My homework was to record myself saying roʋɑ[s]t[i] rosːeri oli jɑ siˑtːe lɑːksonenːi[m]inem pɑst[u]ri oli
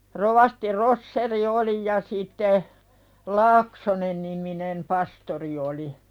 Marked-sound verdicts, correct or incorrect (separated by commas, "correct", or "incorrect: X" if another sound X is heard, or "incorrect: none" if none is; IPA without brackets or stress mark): correct, correct, correct, incorrect: o